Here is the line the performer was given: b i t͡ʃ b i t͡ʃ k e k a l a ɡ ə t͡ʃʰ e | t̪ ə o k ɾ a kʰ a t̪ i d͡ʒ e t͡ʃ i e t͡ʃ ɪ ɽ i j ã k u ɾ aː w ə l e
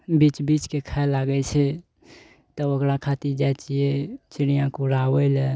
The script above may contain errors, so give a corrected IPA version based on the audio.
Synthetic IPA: b i t͡ʃ b i t͡ʃ k e kʰ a l a ɡ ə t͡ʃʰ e | t̪ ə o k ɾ a kʰ a t̪ i d͡ʒ a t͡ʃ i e t͡ʃ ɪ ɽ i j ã k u ɾ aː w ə l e